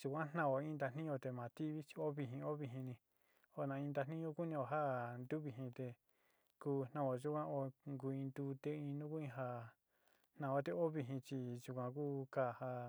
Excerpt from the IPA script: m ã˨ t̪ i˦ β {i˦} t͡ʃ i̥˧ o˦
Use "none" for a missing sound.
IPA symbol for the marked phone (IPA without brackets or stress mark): i˦